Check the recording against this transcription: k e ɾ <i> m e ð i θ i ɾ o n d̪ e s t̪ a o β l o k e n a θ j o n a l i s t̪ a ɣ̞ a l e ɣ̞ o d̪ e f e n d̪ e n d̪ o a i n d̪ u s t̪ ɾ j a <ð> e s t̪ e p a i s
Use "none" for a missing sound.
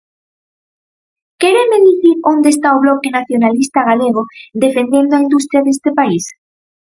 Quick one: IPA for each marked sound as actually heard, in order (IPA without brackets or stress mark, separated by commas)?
e, ð